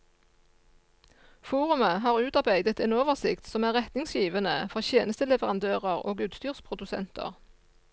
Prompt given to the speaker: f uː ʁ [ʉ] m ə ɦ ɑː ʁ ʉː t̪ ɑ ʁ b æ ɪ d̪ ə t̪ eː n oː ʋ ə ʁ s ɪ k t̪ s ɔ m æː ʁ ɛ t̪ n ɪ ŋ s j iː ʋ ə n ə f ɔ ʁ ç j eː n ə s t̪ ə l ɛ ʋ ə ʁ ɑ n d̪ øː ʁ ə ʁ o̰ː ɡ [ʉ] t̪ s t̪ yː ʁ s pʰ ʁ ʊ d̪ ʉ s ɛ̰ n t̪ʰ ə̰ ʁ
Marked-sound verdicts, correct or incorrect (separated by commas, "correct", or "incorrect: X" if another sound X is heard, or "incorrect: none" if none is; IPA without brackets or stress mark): correct, incorrect: ʉː